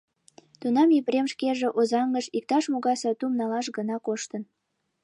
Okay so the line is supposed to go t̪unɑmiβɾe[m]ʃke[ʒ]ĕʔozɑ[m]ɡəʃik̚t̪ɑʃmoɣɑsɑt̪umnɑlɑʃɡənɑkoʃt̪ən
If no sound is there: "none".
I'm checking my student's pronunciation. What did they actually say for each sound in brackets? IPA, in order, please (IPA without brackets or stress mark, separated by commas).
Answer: m, ʒ, ŋ